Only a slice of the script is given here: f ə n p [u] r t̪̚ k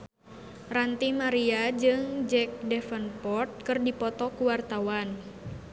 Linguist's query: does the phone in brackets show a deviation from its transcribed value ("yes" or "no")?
yes